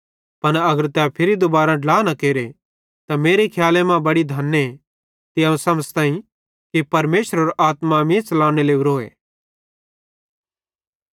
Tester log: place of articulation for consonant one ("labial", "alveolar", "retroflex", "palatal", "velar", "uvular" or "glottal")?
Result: labial